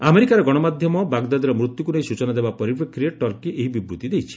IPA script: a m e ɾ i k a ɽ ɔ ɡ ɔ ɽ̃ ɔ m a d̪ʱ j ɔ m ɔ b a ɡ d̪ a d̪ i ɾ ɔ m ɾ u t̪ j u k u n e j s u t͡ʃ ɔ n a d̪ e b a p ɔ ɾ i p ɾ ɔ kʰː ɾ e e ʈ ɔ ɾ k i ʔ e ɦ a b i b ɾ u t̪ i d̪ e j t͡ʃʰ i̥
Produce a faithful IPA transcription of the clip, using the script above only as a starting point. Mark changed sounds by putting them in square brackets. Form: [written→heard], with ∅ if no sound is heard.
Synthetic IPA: a m e ɾ i k a [ɽ→ɾ] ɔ ɡ ɔ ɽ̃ ɔ m a d̪ʱ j ɔ m ɔ b a ɡ d̪ a d̪ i ɾ ɔ m ɾ u t̪ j u k u n e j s u t͡ʃ ɔ n a d̪ e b a p ɔ ɾ i p ɾ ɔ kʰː ɾ [e→i] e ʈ ɔ ɾ k i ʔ e ɦ [a→i] b i b ɾ u t̪ i d̪ e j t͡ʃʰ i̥